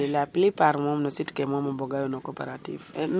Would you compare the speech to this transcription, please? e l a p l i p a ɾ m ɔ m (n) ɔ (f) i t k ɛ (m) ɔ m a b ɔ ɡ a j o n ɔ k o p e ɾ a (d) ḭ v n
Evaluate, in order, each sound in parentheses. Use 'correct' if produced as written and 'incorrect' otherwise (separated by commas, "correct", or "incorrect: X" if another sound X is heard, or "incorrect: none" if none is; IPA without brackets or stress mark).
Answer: correct, incorrect: s, correct, incorrect: t